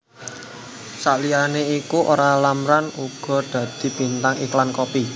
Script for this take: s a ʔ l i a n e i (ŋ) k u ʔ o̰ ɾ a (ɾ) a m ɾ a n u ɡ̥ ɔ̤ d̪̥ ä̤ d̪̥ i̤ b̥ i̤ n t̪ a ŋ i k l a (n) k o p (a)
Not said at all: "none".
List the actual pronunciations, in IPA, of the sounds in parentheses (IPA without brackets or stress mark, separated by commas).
none, l, n, i